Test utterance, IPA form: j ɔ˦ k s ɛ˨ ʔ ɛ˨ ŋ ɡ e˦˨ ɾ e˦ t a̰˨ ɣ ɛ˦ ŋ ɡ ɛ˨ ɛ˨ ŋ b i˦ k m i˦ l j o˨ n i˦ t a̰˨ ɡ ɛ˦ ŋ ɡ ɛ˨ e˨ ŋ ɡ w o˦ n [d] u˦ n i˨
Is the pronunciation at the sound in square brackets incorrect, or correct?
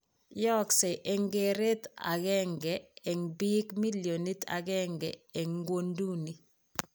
correct